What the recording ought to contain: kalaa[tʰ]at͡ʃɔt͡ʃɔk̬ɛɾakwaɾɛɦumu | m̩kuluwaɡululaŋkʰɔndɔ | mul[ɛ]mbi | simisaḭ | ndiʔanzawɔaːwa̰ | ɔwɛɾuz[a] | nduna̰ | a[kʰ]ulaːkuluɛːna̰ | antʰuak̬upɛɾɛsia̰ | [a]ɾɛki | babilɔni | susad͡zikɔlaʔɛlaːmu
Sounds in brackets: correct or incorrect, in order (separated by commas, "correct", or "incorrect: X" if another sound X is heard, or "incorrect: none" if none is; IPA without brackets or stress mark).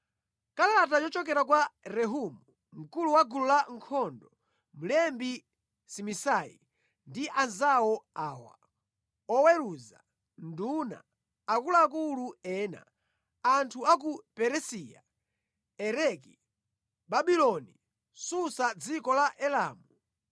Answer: incorrect: t, correct, correct, incorrect: k, incorrect: ɛ